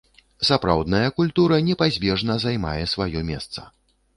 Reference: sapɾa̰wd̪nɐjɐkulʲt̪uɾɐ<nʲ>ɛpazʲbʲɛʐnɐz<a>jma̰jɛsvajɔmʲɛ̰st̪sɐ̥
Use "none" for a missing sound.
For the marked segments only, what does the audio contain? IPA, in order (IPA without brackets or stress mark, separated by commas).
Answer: nʲ, a